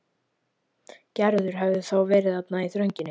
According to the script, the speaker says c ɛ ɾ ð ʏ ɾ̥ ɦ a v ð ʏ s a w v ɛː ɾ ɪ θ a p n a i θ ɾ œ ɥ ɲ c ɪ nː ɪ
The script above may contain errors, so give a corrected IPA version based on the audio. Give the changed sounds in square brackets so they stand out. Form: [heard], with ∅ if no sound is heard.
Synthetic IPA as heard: c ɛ ɾ ð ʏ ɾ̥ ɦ [ɛ] v ð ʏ [θ] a w v ɛː ɾ ɪ [ð] a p n a i θ ɾ œ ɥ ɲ c ɪ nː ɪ